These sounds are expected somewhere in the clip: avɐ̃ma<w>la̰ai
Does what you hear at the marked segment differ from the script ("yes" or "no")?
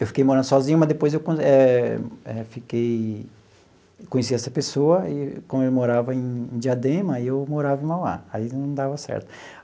no